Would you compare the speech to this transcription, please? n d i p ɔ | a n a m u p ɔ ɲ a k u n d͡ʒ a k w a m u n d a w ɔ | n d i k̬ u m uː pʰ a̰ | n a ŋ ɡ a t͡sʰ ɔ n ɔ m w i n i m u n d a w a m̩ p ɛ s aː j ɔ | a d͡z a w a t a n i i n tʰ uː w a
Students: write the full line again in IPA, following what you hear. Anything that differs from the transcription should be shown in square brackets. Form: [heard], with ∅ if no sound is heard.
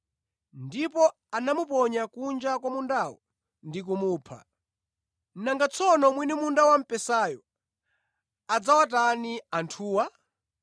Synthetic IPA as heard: n d i p ɔ | a n a m u p ɔ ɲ a k u n d͡ʒ a k w a m u n d a w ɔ | n d i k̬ u m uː pʰ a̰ | n a ŋ ɡ a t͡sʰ ɔ n ɔ m w i n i m u n d a w a m̩ p ɛ s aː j ɔ | a d͡z a w a t a n i [a] n tʰ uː w a